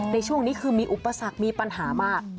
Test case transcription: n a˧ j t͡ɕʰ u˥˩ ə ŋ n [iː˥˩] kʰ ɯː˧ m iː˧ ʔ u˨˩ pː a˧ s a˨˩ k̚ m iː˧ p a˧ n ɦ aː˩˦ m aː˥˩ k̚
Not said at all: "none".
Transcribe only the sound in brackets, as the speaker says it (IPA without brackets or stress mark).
iː˦˥